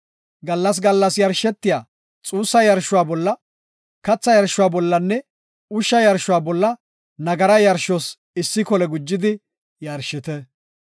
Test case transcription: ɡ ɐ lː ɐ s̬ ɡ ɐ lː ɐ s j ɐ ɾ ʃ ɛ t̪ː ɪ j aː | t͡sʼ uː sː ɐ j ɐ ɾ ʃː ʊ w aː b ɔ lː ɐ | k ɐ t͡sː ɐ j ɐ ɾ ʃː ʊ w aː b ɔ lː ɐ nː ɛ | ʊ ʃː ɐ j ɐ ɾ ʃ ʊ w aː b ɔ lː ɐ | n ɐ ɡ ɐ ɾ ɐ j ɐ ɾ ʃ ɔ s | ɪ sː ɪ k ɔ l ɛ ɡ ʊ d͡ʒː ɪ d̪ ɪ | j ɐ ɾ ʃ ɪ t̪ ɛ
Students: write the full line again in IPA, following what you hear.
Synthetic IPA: ɡ ɐ lː ɐ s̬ ɡ ɐ lː ɐ s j ɐ ɾ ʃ ɛ t̪ː ɪ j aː | t͡sʼ uː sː ɐ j ɐ ɾ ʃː ʊ w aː b ɔ lː ɐ | k ɐ t͡sː ɐ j ɐ ɾ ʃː ʊ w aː b ɔ lː ɐ nː ɛ | ʊ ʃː ɐ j ɐ ɾ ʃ ʊ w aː b ɔ lː ɐ | n ɐ ɡ ɐ ɾ ɐ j ɐ ɾ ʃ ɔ s | ɪ sː ɪ k ɔ l ɛ ɡ ʊ d͡ʒː ɪ d̪ ɪ | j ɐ ɾ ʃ ɪ t̪ ɛ